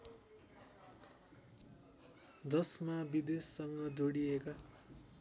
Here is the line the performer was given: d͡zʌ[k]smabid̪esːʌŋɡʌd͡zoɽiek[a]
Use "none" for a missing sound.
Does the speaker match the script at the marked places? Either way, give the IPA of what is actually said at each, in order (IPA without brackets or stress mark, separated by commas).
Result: none, a